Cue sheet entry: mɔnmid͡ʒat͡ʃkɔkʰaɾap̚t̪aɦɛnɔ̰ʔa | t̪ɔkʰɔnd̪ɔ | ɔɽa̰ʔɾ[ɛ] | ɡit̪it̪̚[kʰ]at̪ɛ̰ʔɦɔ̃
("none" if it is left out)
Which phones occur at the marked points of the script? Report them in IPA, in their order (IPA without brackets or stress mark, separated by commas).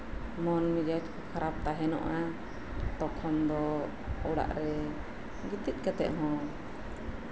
ɛ, k